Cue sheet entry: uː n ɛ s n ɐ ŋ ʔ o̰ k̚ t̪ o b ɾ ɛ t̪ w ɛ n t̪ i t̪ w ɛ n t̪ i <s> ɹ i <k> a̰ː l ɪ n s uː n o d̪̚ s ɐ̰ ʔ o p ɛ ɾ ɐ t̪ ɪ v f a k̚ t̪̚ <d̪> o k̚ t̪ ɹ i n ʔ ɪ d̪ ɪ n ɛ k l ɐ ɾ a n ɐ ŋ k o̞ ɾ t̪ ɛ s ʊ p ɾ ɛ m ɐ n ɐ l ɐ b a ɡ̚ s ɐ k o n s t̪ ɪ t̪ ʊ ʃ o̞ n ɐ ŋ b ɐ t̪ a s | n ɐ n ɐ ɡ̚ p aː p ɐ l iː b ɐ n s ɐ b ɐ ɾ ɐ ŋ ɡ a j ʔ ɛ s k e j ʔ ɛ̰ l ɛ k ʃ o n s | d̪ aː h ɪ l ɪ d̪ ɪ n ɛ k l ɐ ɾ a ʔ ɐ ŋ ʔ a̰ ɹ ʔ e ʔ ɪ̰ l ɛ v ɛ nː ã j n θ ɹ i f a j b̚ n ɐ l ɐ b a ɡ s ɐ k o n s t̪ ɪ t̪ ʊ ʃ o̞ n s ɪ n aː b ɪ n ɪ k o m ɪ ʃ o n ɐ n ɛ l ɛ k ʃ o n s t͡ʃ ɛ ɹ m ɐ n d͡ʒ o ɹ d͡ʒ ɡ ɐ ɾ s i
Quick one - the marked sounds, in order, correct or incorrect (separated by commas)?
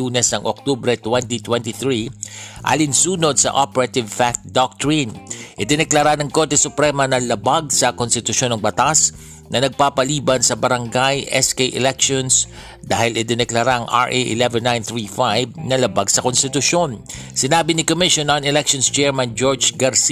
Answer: incorrect, incorrect, correct